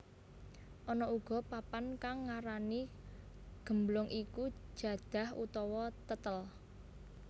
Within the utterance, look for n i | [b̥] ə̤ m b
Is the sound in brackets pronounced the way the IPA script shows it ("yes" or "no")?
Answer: no